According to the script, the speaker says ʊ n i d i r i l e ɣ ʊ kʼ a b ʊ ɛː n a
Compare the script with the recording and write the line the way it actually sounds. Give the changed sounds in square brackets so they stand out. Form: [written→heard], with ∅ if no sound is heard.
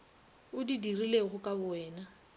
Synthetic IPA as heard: ʊ [n→d] i d i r i l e ɣ ʊ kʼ a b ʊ ɛː n a